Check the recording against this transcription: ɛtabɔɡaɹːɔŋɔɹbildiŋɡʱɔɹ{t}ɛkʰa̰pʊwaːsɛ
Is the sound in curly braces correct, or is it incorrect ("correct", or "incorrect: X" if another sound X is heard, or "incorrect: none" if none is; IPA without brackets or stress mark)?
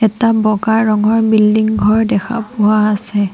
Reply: incorrect: d